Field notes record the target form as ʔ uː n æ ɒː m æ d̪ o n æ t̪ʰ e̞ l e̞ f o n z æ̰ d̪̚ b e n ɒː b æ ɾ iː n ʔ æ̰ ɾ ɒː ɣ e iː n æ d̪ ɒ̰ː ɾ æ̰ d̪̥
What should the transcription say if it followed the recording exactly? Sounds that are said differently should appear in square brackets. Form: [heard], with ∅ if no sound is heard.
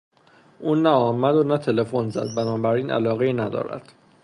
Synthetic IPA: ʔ uː n æ ɒː m æ d̪ o n æ t̪ʰ e̞ l e̞ f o n z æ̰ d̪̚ b [æ] n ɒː b æ ɾ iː n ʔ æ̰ [l] ɒː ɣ e iː n æ d̪ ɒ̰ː ɾ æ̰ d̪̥